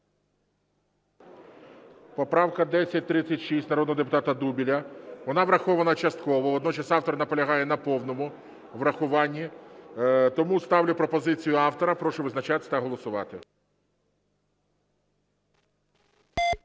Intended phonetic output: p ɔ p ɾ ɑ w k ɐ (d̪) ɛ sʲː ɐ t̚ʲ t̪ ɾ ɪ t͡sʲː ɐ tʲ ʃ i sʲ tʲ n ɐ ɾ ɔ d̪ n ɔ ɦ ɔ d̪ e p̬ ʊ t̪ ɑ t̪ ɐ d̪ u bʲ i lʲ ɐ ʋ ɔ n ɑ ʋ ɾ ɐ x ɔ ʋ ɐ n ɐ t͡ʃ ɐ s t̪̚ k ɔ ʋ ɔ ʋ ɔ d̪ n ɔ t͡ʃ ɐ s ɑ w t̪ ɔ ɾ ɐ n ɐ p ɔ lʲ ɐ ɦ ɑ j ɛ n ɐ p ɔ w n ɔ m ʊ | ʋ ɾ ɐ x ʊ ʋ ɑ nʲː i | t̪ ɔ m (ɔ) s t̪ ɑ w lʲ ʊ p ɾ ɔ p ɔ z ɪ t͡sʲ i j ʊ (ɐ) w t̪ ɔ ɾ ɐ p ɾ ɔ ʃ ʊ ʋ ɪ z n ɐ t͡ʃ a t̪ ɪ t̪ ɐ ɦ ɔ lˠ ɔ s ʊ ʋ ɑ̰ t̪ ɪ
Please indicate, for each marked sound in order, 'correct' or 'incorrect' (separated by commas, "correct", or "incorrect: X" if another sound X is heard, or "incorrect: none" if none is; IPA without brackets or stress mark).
correct, incorrect: u, incorrect: ɑ